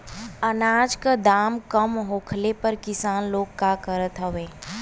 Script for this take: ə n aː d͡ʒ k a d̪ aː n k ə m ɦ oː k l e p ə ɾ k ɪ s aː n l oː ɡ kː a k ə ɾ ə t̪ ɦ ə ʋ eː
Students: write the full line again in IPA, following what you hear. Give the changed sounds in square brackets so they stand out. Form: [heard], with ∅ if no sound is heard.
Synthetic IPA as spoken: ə n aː d͡ʒ k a d̪ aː [m] k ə m ɦ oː [kʰ] l e p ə ɾ k ɪ s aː n l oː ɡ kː a k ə ɾ ə t̪ ɦ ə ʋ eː